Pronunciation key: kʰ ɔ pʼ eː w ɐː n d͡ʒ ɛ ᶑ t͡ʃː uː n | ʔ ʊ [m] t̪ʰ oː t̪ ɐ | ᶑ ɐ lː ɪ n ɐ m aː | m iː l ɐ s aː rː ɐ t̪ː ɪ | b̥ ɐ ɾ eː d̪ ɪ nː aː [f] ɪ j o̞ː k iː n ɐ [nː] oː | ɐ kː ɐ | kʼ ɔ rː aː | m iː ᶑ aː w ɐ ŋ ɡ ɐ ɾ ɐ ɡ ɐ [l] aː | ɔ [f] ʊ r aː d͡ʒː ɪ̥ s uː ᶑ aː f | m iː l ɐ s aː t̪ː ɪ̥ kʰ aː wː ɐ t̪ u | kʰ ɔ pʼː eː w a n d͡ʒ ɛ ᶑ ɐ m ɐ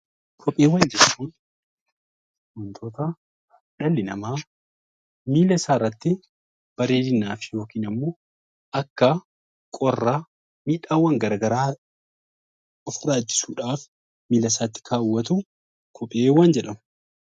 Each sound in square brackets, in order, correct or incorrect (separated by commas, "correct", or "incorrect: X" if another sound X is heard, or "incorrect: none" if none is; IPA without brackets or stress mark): incorrect: n, correct, incorrect: mː, incorrect: ɾ, correct